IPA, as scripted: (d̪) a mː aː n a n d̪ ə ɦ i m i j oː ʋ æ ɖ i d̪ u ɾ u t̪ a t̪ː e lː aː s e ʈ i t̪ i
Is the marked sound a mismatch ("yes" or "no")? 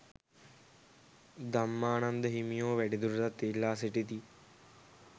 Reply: no